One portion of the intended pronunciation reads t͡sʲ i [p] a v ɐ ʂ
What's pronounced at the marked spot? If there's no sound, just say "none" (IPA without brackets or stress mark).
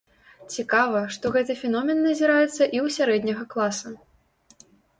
k